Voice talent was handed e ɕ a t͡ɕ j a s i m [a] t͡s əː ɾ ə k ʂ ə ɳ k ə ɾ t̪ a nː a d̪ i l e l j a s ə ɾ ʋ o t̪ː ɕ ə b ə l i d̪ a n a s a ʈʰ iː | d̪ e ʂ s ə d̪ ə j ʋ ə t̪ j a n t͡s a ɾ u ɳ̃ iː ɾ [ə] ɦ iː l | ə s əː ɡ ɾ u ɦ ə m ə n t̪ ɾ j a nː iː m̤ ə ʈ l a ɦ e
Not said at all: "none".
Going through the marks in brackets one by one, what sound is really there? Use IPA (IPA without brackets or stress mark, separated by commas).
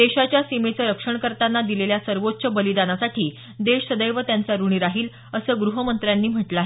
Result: e, a